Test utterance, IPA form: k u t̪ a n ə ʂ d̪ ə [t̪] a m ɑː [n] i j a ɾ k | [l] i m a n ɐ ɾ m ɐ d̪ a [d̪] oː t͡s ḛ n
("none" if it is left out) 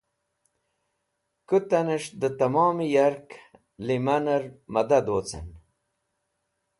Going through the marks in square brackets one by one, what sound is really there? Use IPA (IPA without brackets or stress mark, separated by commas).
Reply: t̪, m, l, d̪